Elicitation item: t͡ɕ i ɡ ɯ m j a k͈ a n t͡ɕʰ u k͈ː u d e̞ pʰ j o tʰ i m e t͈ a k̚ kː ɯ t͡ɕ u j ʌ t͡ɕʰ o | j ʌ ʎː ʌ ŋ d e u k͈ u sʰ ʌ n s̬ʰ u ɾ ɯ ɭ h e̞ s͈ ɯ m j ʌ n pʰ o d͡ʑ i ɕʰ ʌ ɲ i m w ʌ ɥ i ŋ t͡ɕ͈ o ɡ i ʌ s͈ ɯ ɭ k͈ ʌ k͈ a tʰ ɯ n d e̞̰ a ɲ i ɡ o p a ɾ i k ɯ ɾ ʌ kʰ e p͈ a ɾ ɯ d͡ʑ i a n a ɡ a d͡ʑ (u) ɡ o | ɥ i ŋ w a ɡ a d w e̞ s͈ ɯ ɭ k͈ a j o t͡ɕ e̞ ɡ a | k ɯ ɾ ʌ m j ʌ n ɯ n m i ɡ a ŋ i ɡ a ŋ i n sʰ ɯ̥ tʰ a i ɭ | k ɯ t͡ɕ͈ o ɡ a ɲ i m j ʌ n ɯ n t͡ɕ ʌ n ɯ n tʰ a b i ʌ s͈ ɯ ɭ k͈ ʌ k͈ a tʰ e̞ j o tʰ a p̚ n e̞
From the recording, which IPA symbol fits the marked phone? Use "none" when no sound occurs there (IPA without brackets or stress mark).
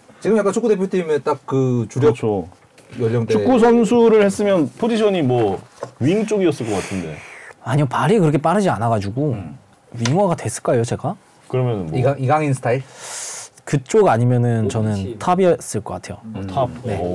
u